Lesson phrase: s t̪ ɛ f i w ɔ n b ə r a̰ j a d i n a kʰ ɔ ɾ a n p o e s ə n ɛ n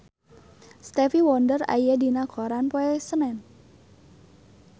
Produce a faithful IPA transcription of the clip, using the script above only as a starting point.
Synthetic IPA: s t̪ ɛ f i w ɔ n d ə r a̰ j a d i n a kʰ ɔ ɾ a n p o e s ə n ɛ n